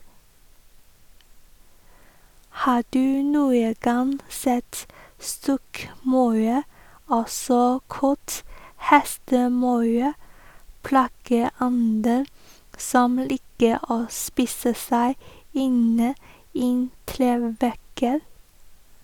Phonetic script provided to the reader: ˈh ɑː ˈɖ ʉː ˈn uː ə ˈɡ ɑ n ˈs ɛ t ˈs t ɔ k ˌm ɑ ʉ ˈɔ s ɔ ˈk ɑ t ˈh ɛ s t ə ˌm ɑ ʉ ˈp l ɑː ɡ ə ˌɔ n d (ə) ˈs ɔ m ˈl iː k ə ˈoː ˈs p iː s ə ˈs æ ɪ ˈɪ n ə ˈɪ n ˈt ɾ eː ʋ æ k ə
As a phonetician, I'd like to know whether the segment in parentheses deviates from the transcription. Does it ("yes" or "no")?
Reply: no